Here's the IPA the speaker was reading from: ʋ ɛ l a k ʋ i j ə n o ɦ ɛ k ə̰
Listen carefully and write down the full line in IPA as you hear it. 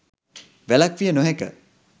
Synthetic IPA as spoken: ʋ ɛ l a k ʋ i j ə n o ɦ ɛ k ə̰